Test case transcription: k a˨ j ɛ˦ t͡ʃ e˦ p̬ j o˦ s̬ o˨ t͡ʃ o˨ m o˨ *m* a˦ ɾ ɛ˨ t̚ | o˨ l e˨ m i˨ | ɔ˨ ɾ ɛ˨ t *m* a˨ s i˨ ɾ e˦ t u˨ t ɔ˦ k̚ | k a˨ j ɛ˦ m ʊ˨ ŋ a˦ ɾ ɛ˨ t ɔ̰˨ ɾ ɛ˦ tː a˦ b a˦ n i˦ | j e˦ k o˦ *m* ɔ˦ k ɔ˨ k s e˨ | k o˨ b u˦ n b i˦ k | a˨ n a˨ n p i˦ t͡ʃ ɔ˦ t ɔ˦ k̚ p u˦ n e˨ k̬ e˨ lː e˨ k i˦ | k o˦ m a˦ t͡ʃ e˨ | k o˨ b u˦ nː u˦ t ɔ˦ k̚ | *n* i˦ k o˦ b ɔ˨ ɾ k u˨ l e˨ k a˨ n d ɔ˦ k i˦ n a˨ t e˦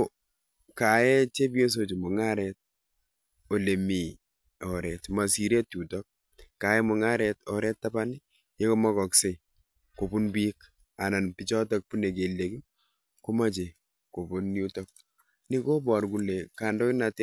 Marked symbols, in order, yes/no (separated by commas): no, yes, yes, yes